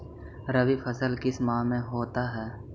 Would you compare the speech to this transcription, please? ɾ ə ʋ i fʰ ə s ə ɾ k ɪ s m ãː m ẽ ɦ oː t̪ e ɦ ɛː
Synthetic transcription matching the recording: ɾ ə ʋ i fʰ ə s ə l k ɪ s m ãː m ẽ ɦ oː t̪ a ɦ ɛː